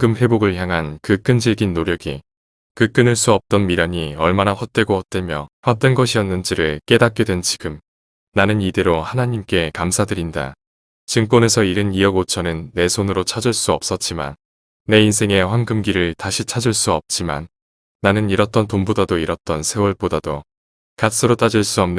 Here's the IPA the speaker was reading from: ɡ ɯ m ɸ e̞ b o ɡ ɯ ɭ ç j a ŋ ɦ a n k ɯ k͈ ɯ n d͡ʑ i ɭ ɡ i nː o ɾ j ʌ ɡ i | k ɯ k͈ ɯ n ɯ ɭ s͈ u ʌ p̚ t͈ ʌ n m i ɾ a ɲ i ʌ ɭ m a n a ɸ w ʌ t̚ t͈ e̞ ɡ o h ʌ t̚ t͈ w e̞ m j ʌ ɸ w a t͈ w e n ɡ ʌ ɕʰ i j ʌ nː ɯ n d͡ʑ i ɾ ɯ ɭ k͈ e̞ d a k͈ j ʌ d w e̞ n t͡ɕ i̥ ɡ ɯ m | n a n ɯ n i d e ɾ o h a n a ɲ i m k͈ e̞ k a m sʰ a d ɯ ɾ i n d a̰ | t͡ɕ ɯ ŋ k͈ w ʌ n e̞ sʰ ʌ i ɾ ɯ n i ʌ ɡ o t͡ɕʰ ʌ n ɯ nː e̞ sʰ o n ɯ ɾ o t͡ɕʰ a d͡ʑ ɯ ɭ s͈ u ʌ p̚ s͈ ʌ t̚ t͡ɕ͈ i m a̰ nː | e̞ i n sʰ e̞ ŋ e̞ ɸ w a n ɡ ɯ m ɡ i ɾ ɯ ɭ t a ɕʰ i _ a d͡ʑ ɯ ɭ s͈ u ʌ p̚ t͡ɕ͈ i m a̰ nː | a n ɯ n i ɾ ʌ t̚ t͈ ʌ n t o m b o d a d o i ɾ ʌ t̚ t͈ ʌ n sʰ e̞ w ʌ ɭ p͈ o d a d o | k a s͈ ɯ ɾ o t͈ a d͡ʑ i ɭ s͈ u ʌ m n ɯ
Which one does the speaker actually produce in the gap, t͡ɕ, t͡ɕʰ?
t͡ɕʰ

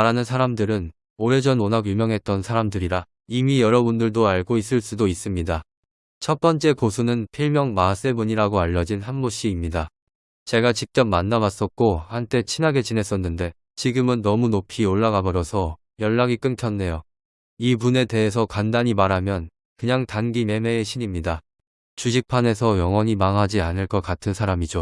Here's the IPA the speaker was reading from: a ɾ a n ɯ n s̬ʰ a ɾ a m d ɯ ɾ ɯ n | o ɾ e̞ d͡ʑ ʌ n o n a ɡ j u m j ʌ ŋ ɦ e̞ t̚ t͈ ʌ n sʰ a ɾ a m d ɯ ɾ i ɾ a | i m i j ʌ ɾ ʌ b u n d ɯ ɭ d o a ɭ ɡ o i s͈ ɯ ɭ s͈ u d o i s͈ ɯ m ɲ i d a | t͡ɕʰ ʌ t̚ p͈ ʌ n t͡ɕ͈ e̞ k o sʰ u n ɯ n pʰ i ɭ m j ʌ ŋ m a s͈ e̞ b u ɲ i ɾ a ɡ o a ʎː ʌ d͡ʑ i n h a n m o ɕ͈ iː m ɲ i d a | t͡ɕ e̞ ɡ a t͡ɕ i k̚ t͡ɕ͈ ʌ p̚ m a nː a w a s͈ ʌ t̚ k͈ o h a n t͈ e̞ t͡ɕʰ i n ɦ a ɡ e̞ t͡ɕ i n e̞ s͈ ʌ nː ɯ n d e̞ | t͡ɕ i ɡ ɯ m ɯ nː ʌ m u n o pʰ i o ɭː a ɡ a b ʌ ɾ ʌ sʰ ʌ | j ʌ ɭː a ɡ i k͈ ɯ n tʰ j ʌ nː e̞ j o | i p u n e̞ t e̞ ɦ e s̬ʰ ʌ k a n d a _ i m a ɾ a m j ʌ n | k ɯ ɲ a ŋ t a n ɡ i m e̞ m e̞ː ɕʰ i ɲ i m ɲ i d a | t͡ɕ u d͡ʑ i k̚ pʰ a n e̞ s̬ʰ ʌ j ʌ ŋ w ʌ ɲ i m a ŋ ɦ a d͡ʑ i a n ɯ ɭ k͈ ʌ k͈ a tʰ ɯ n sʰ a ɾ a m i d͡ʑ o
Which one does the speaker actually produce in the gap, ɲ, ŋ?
ɲ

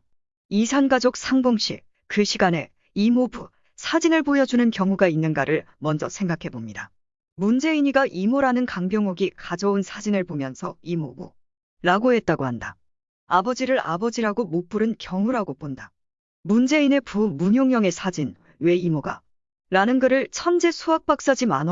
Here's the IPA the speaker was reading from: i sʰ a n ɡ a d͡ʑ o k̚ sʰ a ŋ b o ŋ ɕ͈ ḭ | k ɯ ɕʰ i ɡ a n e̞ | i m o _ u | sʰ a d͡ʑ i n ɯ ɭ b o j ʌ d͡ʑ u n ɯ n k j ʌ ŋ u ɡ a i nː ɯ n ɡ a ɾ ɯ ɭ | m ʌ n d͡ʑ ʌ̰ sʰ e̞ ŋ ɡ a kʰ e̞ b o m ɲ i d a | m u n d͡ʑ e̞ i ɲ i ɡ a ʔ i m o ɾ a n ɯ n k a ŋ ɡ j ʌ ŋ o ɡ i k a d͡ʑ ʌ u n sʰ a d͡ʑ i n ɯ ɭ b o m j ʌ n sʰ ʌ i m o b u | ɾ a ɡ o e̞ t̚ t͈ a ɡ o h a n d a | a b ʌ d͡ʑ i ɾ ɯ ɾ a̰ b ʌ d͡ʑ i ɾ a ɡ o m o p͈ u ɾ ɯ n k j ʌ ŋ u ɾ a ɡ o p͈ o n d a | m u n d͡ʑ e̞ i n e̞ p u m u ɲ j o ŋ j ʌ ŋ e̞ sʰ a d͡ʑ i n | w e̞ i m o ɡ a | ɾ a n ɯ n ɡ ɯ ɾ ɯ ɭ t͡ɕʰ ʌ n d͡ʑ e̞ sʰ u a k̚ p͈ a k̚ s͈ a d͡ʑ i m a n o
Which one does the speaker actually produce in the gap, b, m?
b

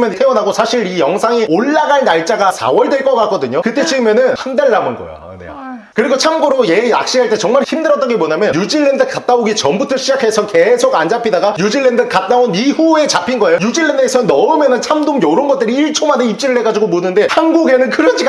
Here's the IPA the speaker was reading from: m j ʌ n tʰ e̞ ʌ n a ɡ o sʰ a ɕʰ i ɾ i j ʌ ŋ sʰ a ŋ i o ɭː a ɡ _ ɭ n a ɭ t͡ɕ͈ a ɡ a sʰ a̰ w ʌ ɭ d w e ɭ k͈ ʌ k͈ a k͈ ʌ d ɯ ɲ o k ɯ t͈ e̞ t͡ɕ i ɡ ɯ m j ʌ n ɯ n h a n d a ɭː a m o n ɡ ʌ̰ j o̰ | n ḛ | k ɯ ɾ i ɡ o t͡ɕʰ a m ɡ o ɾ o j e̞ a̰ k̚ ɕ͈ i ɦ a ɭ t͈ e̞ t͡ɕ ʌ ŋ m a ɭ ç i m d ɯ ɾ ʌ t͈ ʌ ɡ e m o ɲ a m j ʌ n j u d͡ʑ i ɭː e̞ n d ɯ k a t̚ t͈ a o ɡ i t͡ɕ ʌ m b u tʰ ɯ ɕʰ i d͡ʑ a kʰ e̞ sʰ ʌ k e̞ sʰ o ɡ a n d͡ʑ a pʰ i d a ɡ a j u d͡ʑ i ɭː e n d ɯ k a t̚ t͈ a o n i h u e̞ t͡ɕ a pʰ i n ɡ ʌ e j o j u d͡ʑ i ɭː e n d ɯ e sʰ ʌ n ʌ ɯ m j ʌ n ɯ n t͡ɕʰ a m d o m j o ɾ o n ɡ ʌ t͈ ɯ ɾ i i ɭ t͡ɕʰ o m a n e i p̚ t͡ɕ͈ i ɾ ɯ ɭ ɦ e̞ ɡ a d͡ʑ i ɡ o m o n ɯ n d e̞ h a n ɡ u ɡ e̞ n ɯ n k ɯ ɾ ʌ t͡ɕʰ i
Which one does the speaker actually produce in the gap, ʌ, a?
a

